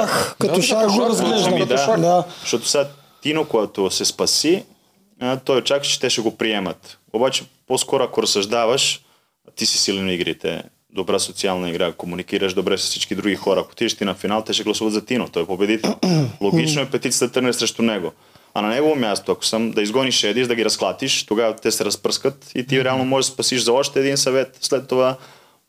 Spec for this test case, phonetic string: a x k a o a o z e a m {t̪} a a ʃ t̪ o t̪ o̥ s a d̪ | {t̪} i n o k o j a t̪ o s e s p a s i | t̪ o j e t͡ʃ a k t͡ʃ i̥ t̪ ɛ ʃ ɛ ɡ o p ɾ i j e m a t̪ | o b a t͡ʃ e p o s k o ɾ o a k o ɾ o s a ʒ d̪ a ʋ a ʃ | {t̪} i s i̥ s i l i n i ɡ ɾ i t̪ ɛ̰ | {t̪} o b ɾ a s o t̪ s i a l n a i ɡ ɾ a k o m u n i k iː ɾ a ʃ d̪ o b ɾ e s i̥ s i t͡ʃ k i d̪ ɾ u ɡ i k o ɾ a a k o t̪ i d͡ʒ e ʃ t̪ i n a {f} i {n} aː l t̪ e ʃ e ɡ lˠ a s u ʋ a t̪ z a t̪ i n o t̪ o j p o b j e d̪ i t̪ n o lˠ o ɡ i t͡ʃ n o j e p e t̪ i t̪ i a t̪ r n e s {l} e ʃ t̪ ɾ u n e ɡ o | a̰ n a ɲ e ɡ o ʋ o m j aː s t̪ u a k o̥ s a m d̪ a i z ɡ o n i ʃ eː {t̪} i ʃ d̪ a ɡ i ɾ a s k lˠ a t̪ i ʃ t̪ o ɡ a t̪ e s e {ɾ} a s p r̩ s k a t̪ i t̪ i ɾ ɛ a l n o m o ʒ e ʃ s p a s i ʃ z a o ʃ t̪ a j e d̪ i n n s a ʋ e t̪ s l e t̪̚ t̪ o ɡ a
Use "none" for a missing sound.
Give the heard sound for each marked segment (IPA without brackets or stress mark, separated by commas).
d̪, t̪, t̪, d̪, f, n, ɾ, d̪, ɾ